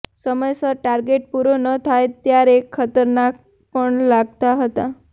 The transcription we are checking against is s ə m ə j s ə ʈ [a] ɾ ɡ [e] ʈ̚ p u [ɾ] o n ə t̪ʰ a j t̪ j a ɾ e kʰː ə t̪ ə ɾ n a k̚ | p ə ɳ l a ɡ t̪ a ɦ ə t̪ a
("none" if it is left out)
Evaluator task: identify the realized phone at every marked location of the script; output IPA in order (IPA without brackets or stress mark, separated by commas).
a, e, ɾ